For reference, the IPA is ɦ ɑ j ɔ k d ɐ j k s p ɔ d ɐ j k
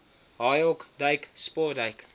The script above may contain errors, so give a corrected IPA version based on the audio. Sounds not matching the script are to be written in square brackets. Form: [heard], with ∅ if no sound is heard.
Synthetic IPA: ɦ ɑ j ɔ k d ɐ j k s p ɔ d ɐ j k